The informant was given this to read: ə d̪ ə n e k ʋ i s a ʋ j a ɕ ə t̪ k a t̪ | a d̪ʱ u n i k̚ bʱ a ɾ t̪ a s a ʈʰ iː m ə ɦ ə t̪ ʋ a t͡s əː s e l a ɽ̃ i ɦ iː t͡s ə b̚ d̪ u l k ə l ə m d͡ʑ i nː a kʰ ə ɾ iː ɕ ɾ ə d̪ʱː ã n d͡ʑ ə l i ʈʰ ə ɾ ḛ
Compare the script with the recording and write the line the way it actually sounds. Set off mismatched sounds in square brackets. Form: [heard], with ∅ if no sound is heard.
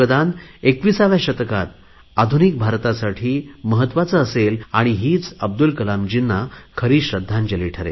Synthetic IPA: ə d̪ [a] n e k ʋ i s a ʋ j a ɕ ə t̪ k a t̪ | a d̪ʱ u n i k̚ bʱ a ɾ t̪ a s a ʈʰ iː m ə ɦ ə t̪ ʋ a t͡s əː s e l a ɽ̃ i ɦ iː t͡s ə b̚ d̪ u l k ə l [a] m d͡ʑ i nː a kʰ ə ɾ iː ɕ ɾ ə d̪ʱː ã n d͡ʑ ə l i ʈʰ ə ɾ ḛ